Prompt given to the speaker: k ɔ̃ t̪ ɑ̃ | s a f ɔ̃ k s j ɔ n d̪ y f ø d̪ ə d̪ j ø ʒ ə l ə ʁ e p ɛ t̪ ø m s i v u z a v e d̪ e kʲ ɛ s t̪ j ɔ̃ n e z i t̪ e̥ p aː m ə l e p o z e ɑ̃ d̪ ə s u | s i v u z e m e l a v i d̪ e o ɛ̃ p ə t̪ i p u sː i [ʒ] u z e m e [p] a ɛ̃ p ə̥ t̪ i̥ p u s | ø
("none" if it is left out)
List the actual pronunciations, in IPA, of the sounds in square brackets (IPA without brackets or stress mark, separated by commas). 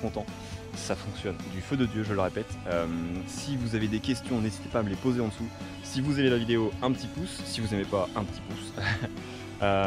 v, p